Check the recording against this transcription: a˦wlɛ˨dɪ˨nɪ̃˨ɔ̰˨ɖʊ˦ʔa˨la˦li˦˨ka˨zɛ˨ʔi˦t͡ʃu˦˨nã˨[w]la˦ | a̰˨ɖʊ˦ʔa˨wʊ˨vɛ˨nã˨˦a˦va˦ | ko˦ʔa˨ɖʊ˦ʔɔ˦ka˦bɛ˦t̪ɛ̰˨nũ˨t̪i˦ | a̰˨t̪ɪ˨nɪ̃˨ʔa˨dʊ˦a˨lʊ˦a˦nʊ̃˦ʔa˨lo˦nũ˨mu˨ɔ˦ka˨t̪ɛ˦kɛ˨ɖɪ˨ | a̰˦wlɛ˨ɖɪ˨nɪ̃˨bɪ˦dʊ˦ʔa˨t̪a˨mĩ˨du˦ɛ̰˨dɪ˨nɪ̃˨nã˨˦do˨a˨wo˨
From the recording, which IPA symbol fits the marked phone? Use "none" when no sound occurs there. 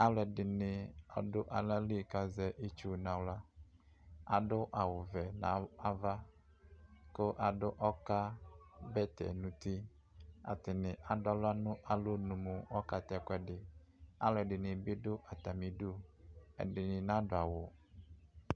w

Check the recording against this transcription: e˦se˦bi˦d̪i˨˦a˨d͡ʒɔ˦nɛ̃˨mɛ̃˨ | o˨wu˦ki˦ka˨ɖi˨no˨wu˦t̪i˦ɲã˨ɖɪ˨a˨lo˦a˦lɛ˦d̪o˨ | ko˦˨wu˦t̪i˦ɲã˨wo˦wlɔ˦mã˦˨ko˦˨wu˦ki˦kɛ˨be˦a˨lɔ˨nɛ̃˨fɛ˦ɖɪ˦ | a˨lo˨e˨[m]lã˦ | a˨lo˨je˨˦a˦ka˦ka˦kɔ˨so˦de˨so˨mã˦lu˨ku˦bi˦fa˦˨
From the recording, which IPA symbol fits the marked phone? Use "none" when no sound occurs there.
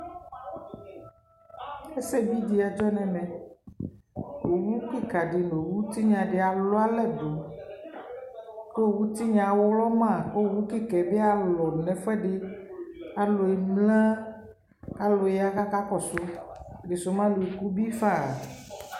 m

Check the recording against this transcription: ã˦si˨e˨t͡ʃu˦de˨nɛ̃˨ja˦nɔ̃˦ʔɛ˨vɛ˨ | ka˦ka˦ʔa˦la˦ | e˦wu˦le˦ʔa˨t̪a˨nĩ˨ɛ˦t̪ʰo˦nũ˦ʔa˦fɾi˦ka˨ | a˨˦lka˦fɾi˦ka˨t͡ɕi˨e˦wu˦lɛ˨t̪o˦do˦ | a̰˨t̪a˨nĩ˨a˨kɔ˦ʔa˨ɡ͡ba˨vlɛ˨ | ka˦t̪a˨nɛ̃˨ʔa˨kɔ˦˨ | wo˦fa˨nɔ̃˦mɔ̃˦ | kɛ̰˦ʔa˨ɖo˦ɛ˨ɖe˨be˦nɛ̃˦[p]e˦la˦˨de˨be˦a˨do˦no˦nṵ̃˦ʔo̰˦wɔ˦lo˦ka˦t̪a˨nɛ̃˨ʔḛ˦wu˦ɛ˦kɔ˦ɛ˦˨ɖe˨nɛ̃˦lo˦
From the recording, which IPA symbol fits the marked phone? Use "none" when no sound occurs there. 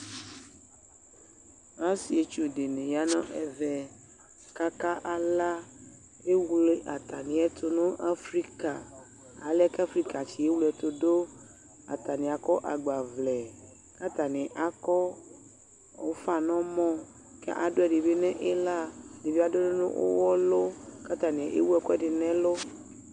ʔ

